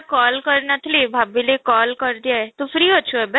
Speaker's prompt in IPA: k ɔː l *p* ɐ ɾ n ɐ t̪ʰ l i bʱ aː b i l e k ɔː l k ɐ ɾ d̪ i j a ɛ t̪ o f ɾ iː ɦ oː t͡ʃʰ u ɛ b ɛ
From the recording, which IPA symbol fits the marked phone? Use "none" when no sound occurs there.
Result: k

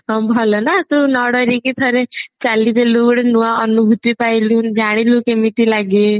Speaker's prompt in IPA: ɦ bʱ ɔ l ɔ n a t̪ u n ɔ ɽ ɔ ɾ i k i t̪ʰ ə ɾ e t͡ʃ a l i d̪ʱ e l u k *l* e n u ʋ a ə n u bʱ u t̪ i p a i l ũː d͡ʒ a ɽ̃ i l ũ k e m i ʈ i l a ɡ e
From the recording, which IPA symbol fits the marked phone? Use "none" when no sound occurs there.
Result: ɽ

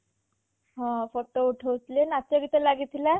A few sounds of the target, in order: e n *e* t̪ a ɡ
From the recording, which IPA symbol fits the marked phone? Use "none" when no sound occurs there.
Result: a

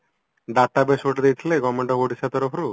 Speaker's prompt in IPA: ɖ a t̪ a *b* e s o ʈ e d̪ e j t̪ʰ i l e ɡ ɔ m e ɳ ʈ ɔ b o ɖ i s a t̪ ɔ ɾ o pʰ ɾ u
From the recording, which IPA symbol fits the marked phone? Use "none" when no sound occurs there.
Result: b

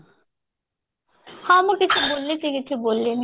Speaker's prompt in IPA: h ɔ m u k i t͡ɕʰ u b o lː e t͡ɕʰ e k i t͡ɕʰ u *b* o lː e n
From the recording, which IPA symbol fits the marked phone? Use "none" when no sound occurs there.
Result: b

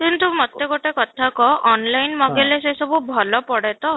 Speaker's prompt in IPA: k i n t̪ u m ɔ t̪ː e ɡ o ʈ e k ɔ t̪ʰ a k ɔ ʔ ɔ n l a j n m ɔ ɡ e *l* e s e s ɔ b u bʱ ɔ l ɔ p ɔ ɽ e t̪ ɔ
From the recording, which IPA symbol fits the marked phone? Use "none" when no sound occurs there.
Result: l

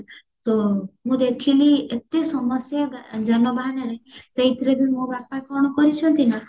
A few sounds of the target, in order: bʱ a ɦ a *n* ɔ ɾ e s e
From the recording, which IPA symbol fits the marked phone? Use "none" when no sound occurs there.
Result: n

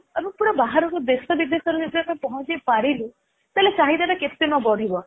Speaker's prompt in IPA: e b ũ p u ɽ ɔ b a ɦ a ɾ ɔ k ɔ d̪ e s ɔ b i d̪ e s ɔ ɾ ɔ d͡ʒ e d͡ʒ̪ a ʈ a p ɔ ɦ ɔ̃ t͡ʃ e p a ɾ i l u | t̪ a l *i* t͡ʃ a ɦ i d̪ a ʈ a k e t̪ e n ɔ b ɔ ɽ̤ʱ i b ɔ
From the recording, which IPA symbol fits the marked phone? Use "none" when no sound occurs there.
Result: e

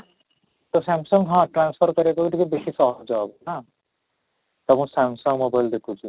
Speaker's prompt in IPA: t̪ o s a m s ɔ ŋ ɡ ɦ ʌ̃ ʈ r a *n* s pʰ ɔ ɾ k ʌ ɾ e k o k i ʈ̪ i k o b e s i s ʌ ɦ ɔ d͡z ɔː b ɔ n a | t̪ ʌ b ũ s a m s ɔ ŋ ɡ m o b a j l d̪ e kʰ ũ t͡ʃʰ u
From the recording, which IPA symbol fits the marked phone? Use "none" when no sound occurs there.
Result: n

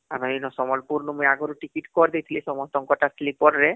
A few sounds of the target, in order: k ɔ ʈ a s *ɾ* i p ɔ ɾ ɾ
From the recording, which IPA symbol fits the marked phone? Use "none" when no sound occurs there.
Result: l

